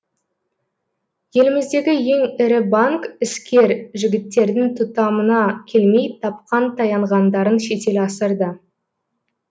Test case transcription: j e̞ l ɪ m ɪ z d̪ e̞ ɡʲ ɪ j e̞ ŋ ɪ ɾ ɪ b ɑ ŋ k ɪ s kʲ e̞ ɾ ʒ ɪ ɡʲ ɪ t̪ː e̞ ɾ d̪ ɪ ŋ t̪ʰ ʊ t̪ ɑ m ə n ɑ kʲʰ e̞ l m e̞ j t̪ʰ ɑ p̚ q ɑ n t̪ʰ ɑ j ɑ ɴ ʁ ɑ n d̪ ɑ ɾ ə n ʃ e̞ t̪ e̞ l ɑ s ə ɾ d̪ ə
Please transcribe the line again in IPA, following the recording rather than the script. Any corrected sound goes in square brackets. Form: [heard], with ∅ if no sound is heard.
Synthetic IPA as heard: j e̞ l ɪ m ɪ z d̪ e̞ ɡʲ ɪ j e̞ ŋ ɪ ɾ ɪ b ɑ ŋ k ɪ s kʲ e̞ ɾ ʒ ɪ ɡʲ ɪ t̪ː e̞ ɾ d̪ ɪ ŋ t̪ʰ ʊ t̪ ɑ m ə n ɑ kʲʰ e̞ l m e̞ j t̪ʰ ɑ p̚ q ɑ n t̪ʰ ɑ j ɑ ɴ ʁ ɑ n d̪ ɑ ɾ ə n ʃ e̞ t̪ e̞ l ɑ s ə ɾ d̪ ə

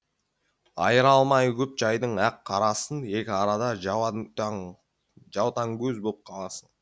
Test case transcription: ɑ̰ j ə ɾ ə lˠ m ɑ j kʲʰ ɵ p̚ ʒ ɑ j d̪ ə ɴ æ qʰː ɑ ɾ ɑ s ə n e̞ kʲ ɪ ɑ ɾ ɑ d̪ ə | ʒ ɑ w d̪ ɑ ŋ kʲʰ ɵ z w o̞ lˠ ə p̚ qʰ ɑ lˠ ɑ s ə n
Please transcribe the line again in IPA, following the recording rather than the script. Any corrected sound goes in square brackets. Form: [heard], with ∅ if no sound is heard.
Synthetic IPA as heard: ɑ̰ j ə ɾ [ɑ] lˠ m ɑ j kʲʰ ɵ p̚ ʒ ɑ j d̪ ə ɴ æ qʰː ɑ ɾ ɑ s ə n e̞ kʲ ɪ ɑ ɾ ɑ d̪ [ɑ] | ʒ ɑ w [t̪] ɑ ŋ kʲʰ ɵ z [b] o̞ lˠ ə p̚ qʰ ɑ lˠ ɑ s ə n

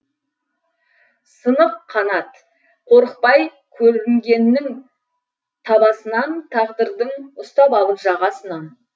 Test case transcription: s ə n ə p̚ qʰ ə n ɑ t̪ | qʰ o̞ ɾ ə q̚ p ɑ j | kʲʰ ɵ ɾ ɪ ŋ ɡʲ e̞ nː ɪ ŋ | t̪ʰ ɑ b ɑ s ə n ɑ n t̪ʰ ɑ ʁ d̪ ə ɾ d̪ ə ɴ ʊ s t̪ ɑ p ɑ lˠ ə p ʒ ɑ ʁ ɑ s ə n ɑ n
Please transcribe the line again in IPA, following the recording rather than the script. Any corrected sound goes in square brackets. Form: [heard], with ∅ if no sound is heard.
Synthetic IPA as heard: s ə n ə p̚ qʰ [ɑ] n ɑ t̪ | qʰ o̞ ɾ ə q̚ p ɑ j | kʲʰ ɵ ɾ ɪ ŋ ɡʲ e̞ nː ɪ ŋ | t̪ʰ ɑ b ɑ s ə n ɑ n t̪ʰ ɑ ʁ d̪ ə ɾ d̪ ə ɴ ʊ s t̪ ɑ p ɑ lˠ ə p ʒ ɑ ʁ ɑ s ə n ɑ n

